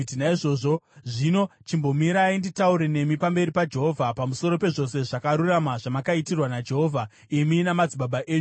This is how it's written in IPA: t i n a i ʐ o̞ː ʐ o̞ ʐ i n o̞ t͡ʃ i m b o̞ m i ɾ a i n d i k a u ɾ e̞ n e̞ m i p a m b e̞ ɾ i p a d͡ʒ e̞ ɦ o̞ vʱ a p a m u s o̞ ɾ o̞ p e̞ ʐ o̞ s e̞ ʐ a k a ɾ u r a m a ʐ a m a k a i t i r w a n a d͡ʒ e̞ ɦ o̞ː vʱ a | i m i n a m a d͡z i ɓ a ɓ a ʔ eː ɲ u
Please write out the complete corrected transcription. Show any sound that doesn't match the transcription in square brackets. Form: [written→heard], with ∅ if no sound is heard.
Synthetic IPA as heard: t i n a i ʐ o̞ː ʐ o̞ ʐ i n o̞ t͡ʃ i m b o̞ m i ɾ a i n d i [k→t] a u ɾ e̞ n e̞ m i p a m b e̞ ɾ i p a d͡ʒ e̞ ɦ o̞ vʱ a p a m u s o̞ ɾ o̞ p e̞ ʐ o̞ s e̞ ʐ a k a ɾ u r a m a ʐ a m a k a i t i r w a n a d͡ʒ e̞ ɦ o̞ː vʱ a | i m i n a m a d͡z i ɓ a ɓ a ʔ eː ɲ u

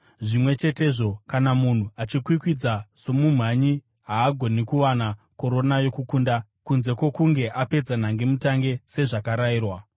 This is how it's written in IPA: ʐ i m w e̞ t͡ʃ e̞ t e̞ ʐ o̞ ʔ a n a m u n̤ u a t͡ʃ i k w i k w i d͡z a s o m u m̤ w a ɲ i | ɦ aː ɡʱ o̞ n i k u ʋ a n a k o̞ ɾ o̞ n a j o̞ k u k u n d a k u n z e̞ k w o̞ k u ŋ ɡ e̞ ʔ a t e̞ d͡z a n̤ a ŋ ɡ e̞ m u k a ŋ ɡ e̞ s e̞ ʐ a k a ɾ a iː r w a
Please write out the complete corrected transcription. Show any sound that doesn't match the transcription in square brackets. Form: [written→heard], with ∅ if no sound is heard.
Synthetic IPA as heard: ʐ i m w e̞ t͡ʃ e̞ t e̞ ʐ o̞ [ʔ→k] a n a m u n̤ u a t͡ʃ i k w i k w i d͡z a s o m u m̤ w a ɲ i | ɦ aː ɡʱ o̞ n i k u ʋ a n a k o̞ ɾ o̞ n a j o̞ k u k u n d a k u n z e̞ k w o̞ k u ŋ ɡ e̞ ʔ a [t→p] e̞ d͡z a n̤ a ŋ ɡ e̞ m u [k→t] a ŋ ɡ e̞ s e̞ ʐ a k a ɾ a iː r w a

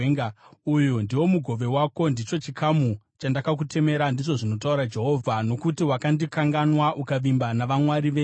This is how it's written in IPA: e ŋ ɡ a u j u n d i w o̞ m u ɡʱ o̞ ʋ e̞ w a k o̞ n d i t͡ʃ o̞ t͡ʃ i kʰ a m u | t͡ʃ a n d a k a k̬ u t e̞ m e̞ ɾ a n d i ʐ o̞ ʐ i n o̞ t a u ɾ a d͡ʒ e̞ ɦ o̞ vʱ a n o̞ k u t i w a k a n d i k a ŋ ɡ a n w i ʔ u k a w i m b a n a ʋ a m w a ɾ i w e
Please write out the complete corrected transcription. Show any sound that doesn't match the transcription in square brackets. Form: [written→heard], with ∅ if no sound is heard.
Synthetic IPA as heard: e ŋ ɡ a u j u n d i w o̞ m u ɡʱ o̞ ʋ e̞ w a k o̞ n d i t͡ʃ o̞ t͡ʃ i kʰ a m u | t͡ʃ a n d a k a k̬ u t e̞ m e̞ ɾ a n d i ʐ o̞ ʐ i n o̞ t a u ɾ a d͡ʒ e̞ ɦ o̞ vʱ a n o̞ k u t i w a k a n d i k a ŋ ɡ a n w [i→a] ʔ u k a [w→ʋ] i m b a n a ʋ a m w a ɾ i [w→ʋ] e

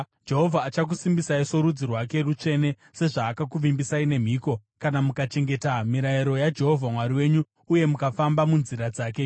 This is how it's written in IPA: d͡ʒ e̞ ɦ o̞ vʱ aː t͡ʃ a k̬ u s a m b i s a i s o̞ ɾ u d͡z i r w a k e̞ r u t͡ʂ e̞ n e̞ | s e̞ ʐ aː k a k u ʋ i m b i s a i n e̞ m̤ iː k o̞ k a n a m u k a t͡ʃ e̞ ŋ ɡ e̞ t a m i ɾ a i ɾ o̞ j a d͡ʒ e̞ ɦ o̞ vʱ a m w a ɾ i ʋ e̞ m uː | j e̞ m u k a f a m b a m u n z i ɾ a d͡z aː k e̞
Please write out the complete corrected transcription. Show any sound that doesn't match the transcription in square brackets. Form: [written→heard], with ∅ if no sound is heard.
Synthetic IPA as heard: d͡ʒ e̞ ɦ o̞ vʱ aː t͡ʃ a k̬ u s [a→i] m b i s a i s o̞ ɾ u d͡z i r w a k e̞ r u t͡ʂ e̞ n e̞ | s e̞ ʐ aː k a k u ʋ i m b i s a i n e̞ m̤ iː k o̞ k a n a m u k a t͡ʃ e̞ ŋ ɡ e̞ t a m i ɾ a i ɾ o̞ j a d͡ʒ e̞ ɦ o̞ vʱ a m w a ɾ i [ʋ→w] e̞ [m→ɲ] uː | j e̞ m u k a f a m b a m u n z i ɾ a d͡z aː k e̞

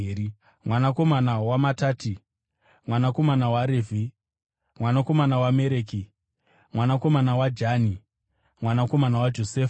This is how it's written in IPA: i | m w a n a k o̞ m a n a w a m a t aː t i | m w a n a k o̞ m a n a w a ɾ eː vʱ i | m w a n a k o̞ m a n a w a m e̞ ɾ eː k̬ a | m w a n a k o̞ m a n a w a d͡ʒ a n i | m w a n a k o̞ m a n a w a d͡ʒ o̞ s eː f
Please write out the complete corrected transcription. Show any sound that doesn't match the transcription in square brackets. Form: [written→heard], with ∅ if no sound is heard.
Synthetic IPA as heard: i | m w a n a k o̞ m a n a w a m a t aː t i | m w a n a k o̞ m a n a w a ɾ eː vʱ i | m w a n a k o̞ m a n a w a m e̞ ɾ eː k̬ [a→i] | m w a n a k o̞ m a n a w a d͡ʒ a n i | m w a n a k o̞ m a n a w a d͡ʒ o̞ s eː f

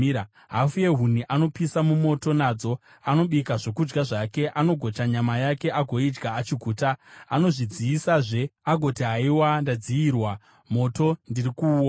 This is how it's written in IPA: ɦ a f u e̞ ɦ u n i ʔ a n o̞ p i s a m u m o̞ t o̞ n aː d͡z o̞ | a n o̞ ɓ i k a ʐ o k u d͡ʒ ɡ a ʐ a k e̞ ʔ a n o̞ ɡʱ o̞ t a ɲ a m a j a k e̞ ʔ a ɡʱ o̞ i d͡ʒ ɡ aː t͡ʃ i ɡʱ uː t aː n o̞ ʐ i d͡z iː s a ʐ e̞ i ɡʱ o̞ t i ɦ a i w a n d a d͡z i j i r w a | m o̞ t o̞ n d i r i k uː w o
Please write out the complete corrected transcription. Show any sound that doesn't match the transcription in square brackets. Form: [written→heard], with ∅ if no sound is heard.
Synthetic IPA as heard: ɦ a f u e̞ ɦ u n i ʔ a n o̞ p i s a m u m o̞ t o̞ n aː d͡z o̞ | a n o̞ ɓ i k a ʐ o k u d͡ʒ ɡ a ʐ a k e̞ ʔ a n o̞ ɡʱ o̞ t a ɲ a m a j a k e̞ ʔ a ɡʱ o̞ i d͡ʒ ɡ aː t͡ʃ i ɡʱ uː t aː n o̞ ʐ i d͡z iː s a ʐ e̞ [i→a] ɡʱ o̞ t i ɦ a i w a n d a d͡z i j i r w a | m o̞ t o̞ n d i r i k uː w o

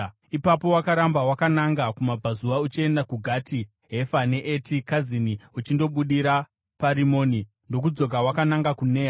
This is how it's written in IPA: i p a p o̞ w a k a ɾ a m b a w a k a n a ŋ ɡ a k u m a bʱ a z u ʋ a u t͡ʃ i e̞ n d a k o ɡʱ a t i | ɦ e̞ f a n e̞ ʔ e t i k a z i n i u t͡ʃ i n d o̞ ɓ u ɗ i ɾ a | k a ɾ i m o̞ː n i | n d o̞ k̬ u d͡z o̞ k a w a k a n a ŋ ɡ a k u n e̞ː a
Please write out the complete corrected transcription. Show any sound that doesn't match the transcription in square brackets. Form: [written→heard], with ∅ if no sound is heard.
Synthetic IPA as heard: i p a p o̞ w a k a ɾ a m b a w a k a n a ŋ ɡ a k u m a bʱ a z u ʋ a u t͡ʃ i e̞ n d a k [o→u] ɡʱ a t i | ɦ e̞ f a n e̞ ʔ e t i k a z i n i u t͡ʃ i n d o̞ ɓ u ɗ i ɾ a | [k→p] a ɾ i m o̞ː n i | n d o̞ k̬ u d͡z o̞ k a w a k a n a ŋ ɡ a k u n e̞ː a

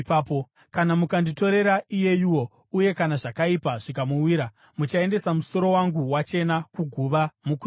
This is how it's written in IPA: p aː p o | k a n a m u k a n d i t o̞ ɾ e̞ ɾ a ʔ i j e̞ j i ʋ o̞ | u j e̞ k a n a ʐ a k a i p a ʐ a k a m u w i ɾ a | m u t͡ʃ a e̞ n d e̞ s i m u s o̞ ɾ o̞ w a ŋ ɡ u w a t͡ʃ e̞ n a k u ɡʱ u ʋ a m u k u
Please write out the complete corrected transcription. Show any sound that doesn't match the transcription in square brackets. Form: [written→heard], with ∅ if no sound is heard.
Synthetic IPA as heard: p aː p o | k a n a m u k a n d i t o̞ ɾ e̞ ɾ a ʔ i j e̞ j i [ʋ→w] o̞ | u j e̞ k a n a ʐ a k a i p a ʐ [a→i] k a m u w i ɾ a | m u t͡ʃ a e̞ n d e̞ s [i→a] m u s o̞ ɾ o̞ w a ŋ ɡ u w a t͡ʃ e̞ n a k u ɡʱ u ʋ a m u k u

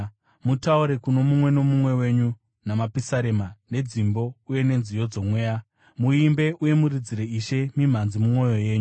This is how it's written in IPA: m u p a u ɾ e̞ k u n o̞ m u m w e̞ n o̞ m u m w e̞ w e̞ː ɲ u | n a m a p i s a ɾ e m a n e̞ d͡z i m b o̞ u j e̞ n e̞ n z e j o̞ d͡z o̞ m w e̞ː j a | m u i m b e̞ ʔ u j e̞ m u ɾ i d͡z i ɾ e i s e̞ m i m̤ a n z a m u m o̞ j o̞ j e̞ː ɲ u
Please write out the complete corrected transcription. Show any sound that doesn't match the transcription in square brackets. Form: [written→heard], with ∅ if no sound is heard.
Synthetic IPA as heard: m u [p→t] a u ɾ e̞ k u n o̞ m u m w e̞ n o̞ m u m w e̞ w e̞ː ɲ u | n a m a p i s a ɾ e m a n e̞ d͡z i m b o̞ u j e̞ n e̞ n z [e→i] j o̞ d͡z o̞ m w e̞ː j a | m u i m b e̞ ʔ u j e̞ m u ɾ i d͡z i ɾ e i [s→ʃ] e̞ m i m̤ a n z [a→i] m u m o̞ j o̞ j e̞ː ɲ u

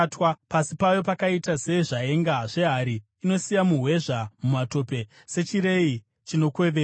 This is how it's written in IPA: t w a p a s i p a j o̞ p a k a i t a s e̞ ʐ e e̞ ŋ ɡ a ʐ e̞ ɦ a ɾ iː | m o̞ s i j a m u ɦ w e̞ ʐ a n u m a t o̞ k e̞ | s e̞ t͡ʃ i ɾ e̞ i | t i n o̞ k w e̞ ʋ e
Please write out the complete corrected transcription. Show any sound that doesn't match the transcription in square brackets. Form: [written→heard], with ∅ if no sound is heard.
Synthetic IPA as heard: t w a p a s i p a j o̞ p a k a i t a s e̞ ʐ [e→a] e̞ ŋ ɡ a ʐ e̞ ɦ a ɾ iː | [m→n] o̞ s i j a m u ɦ w e̞ ʐ a [n→m] u m a t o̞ [k→p] e̞ | s e̞ t͡ʃ i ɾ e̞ i | [t→t͡ʃ] i n o̞ k w e̞ ʋ e

